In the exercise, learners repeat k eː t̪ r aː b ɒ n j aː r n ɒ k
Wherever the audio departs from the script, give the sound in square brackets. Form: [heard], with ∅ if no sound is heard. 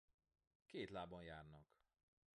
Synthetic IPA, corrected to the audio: k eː t̪ [l] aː b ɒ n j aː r n ɒ k

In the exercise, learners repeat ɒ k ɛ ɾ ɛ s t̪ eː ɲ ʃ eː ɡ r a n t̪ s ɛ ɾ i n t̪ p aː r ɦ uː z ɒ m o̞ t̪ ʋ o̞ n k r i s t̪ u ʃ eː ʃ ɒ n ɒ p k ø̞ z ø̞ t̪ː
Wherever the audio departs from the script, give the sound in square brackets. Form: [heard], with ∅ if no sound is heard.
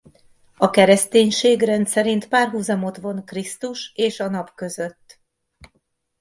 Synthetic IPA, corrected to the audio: ɒ k ɛ ɾ ɛ s t̪ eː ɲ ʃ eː ɡ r [ɛ] n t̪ s ɛ ɾ i n t̪ p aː r ɦ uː z ɒ m o̞ t̪ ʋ o̞ n k r i s t̪ u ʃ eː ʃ ɒ n ɒ p k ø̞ z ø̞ t̪ː

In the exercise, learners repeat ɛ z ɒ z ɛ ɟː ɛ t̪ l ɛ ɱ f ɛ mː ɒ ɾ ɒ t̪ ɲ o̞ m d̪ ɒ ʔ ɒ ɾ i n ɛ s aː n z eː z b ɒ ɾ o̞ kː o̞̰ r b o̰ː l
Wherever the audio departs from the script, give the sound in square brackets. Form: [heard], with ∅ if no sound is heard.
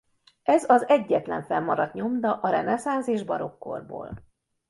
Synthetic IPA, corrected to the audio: ɛ z ɒ z ɛ ɟː ɛ t̪ l ɛ ɱ f ɛ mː ɒ ɾ ɒ t̪ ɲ o̞ m d̪ ɒ ʔ ɒ ɾ [ɛ] n ɛ s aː n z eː [ʒ] b ɒ ɾ o̞ kː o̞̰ r b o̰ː l

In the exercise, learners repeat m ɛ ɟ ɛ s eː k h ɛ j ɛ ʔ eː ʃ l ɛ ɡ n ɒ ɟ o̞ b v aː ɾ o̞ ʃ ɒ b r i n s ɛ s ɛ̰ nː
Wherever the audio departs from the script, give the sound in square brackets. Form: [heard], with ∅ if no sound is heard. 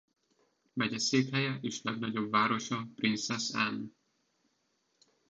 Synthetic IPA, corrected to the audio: m ɛ ɟ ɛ s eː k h ɛ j ɛ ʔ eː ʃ l ɛ ɡ n ɒ ɟ o̞ b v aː ɾ o̞ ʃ ɒ [p] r i n s ɛ s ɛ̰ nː

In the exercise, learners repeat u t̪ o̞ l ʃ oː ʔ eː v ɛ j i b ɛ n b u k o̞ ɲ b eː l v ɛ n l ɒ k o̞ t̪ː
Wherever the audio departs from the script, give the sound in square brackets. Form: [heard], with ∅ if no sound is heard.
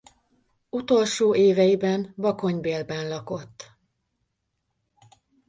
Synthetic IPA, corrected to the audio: u t̪ o̞ l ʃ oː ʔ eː v ɛ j i b ɛ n b [ɒ] k o̞ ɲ b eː l [b] ɛ n l ɒ k o̞ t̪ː

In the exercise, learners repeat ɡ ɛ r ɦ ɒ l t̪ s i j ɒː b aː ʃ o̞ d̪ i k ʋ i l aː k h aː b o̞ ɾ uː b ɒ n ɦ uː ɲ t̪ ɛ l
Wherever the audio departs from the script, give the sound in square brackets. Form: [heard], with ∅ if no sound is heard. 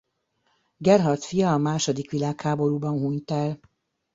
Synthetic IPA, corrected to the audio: ɡ ɛ r ɦ ɒ [r] t̪ [f] i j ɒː [m] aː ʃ o̞ d̪ i k ʋ i l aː k h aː b o̞ ɾ uː b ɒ n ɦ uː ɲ t̪ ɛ l

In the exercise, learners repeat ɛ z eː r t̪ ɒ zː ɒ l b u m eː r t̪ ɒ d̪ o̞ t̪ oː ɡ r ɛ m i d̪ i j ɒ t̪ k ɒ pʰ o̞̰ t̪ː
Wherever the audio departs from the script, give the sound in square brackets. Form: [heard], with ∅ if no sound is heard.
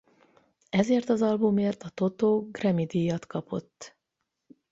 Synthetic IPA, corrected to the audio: ɛ z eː r t̪ ɒ [z] ɒ l b u m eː r t̪ ɒ [t̪] o̞ t̪ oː ɡ r ɛ m i d̪ i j ɒ t̪ k ɒ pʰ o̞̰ t̪ː

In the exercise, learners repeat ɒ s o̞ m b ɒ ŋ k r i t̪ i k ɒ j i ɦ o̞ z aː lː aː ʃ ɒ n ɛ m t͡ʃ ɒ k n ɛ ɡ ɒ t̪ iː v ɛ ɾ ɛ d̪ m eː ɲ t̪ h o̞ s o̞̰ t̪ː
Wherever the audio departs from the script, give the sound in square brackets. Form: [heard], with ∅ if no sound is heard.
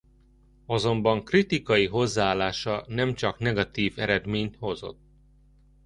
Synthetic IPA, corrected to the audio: ɒ [z] o̞ m b ɒ ŋ k r i t̪ i k ɒ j i ɦ o̞ [zː] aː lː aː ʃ ɒ n ɛ m t͡ʃ ɒ k n ɛ ɡ ɒ t̪ iː v ɛ ɾ ɛ d̪ m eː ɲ t̪ h o̞ [z] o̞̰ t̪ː

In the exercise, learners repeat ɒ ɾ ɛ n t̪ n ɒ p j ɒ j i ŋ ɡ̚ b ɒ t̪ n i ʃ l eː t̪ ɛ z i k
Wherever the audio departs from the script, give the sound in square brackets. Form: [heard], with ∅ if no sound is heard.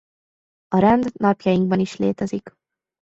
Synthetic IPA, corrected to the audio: ɒ ɾ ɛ n [d̪] n ɒ p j ɒ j i ŋ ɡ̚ b ɒ [∅] n i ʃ l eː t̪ ɛ z i k

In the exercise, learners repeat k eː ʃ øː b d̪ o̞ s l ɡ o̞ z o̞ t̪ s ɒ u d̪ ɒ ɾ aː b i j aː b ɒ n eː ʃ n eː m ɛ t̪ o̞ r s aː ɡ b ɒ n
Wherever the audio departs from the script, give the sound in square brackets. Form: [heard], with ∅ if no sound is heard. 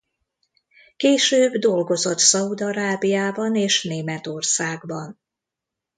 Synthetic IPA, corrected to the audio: k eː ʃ øː b d̪ o̞ [∅] l ɡ o̞ z o̞ t̪ s ɒ u d̪ ɒ ɾ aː b i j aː b ɒ n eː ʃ n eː m ɛ t̪ o̞ r s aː ɡ b ɒ n

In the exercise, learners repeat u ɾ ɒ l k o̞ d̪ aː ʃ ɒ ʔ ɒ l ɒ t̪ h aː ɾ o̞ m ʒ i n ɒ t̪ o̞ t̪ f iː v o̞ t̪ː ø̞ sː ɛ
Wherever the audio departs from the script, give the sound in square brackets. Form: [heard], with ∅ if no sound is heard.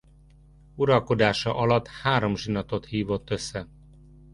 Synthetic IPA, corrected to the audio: u ɾ ɒ l k o̞ d̪ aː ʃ ɒ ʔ ɒ l ɒ t̪ h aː ɾ o̞ m ʒ i n ɒ t̪ o̞ t̪ [h] iː v o̞ t̪ː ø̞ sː ɛ

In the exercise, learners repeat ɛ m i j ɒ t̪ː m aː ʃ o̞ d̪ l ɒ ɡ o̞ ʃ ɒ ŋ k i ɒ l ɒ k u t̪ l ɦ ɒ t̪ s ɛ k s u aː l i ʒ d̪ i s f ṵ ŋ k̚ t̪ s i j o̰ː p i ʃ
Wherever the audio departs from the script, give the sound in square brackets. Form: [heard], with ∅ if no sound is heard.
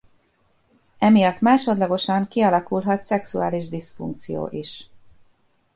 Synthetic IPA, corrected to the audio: ɛ m i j ɒ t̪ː m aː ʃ o̞ d̪ l ɒ ɡ o̞ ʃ ɒ ŋ k i ɒ l ɒ k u [∅] l ɦ ɒ t̪ s ɛ k s u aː l i ʒ d̪ i s f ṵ ŋ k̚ t̪ s i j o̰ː [ʔ] i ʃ

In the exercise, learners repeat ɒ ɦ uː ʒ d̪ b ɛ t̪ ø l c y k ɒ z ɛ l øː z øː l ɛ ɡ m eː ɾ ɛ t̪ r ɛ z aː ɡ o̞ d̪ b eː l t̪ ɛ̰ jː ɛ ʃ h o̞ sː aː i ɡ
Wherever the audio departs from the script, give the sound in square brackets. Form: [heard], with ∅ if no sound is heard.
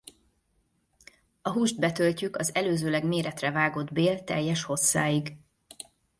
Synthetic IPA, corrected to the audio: ɒ ɦ uː ʒ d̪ b ɛ t̪ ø l c y k ɒ z ɛ l øː z øː l ɛ ɡ m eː ɾ ɛ t̪ r ɛ [v] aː ɡ o̞ d̪ b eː l t̪ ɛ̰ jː ɛ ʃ h o̞ sː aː i ɡ

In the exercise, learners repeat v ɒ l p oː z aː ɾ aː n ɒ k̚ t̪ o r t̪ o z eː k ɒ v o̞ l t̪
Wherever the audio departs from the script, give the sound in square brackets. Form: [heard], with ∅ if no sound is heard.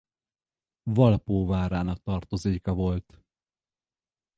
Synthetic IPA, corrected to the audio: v ɒ l p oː [v] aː ɾ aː n ɒ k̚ t̪ [ɒ] r t̪ o z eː k ɒ v o̞ l t̪

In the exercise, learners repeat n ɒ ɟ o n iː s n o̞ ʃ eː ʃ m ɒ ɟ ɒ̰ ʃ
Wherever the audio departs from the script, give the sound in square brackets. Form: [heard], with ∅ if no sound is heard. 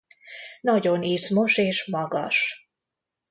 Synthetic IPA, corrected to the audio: n ɒ ɟ o n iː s [m] o̞ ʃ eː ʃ m ɒ [ɡ] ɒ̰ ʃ

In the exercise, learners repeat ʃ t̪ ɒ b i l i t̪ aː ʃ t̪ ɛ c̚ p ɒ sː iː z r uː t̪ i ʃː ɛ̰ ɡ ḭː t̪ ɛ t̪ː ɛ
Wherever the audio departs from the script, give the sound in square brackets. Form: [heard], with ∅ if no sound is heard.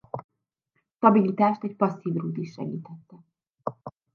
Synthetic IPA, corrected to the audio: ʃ t̪ ɒ b i l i t̪ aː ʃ t̪ ɛ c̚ p ɒ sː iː [v] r uː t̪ i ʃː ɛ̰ ɡ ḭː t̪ ɛ t̪ː ɛ

